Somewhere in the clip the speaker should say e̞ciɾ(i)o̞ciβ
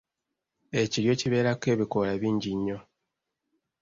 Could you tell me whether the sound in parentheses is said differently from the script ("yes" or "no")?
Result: yes